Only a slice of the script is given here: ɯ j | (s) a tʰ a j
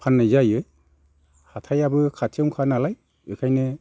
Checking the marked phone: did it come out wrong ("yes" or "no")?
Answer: yes